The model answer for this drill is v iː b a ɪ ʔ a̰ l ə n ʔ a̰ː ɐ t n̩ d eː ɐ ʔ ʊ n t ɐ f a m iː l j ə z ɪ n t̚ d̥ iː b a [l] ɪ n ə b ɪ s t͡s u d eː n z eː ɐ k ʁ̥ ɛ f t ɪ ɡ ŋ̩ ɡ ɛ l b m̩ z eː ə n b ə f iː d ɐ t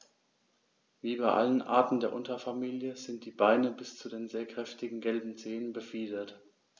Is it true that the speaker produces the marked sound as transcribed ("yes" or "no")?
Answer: no